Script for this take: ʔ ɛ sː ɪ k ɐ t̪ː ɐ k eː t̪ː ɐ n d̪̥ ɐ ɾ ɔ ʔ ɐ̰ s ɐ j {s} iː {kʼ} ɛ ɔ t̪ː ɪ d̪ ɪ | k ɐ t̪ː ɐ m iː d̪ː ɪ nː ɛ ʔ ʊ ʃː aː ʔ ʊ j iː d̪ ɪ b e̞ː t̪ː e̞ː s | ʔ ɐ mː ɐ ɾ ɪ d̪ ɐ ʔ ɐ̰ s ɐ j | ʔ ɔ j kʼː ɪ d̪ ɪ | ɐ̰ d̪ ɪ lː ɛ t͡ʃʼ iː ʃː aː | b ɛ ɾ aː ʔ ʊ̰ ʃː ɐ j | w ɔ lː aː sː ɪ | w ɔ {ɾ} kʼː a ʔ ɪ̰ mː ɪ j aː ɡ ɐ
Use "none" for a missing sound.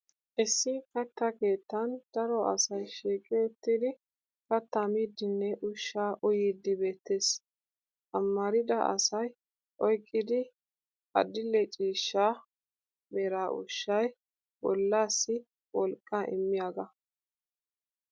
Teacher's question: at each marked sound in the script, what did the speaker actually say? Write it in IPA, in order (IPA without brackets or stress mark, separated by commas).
ʃ, kʼ, l